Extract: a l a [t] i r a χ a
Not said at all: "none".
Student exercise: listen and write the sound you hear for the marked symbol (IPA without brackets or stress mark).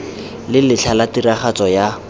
t